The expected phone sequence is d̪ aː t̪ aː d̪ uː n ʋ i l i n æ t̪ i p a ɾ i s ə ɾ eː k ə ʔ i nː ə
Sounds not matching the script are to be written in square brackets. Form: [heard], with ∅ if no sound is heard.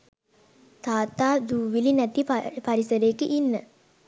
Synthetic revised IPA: [t̪] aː t̪ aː d̪ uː [∅] ʋ i l i n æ t̪ i p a ɾ i s ə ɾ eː k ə ʔ i nː ə